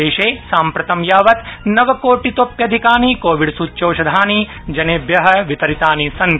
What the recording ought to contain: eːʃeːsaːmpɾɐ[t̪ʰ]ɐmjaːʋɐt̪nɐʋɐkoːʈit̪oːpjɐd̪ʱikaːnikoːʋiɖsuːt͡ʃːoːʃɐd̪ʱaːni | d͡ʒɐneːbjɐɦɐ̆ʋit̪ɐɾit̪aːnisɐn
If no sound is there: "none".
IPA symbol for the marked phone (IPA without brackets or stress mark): t̪